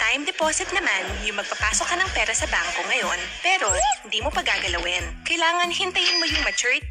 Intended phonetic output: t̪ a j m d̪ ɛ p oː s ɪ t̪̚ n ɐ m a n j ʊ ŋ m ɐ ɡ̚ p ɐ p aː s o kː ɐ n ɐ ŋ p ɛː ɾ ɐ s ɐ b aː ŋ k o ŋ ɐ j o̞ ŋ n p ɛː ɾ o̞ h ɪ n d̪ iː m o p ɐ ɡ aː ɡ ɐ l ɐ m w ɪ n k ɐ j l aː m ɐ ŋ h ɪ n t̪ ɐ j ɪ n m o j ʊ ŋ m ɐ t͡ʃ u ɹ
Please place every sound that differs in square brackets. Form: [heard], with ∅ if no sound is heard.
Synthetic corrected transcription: t̪ a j m d̪ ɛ p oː s ɪ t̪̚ n ɐ m a n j ʊ ŋ m ɐ ɡ̚ p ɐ p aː s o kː ɐ n ɐ ŋ p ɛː ɾ ɐ s ɐ b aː ŋ k o ŋ ɐ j o̞ [∅] n p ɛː ɾ o̞ h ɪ n d̪ iː m o p ɐ ɡ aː ɡ ɐ l ɐ [∅] w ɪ n k ɐ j l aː [ŋ] ɐ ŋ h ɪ n t̪ ɐ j ɪ n m o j ʊ ŋ m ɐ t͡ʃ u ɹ